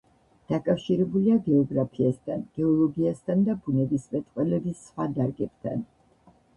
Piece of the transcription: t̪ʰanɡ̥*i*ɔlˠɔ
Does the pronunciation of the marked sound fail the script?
yes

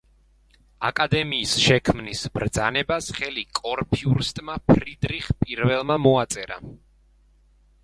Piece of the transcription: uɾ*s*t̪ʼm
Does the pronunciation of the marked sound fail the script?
no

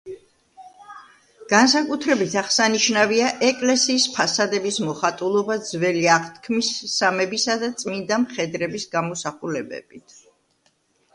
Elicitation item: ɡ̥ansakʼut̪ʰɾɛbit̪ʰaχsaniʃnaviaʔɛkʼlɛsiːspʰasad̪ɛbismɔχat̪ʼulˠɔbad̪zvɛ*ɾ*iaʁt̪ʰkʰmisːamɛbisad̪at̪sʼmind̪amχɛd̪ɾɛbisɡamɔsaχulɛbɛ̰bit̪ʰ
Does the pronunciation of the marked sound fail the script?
yes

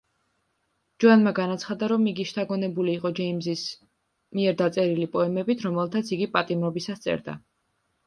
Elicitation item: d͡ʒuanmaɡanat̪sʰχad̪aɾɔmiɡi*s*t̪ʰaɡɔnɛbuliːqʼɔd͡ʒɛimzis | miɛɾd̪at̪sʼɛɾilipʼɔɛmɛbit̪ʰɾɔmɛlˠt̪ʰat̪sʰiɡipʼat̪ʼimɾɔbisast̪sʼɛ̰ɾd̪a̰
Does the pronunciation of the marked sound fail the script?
yes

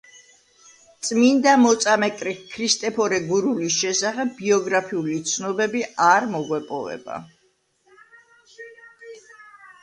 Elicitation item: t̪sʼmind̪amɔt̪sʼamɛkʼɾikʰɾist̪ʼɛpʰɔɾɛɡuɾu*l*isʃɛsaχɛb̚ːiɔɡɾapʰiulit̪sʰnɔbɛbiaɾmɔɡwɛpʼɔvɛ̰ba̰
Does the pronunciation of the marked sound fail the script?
no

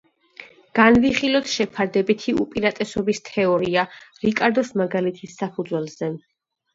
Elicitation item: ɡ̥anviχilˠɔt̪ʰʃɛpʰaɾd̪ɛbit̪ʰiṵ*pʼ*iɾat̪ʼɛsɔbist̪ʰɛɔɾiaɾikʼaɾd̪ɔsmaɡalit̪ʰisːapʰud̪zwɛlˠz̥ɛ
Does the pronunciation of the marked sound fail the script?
no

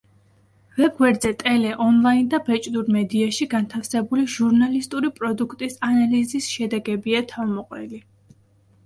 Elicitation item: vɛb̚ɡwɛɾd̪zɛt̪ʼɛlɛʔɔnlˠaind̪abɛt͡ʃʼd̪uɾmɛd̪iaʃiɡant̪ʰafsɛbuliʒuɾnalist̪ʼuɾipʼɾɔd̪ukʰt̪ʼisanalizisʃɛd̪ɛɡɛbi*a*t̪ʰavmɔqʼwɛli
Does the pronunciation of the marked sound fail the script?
no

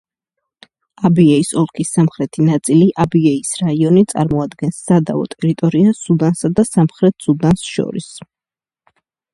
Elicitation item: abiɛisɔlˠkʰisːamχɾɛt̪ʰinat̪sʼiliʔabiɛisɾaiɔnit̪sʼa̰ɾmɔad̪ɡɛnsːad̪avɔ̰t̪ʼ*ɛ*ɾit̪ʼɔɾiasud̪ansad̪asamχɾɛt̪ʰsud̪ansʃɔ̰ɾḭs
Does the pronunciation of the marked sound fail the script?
no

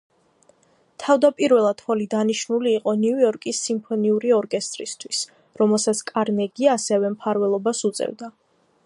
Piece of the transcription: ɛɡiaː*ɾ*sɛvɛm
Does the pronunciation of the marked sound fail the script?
yes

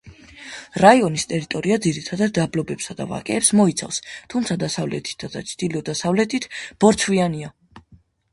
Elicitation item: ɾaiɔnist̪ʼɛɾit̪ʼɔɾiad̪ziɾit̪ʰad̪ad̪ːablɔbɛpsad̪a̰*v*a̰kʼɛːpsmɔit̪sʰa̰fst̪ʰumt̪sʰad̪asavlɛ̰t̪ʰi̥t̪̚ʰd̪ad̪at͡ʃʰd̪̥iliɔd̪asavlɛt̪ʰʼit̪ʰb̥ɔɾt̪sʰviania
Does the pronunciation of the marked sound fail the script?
no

